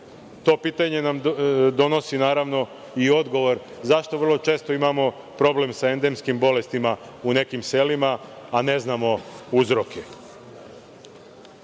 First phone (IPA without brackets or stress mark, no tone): t̪